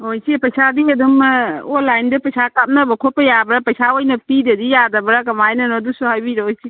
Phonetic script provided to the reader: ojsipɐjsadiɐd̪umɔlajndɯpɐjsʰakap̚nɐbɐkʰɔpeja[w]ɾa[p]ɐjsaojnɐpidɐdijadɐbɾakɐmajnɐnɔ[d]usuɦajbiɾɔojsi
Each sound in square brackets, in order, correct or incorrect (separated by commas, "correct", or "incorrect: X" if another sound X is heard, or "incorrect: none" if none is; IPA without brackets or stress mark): incorrect: b, correct, correct